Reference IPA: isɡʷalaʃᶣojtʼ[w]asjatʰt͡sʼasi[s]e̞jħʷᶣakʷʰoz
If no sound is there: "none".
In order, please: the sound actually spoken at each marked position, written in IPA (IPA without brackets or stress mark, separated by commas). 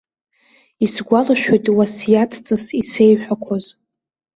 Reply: w, s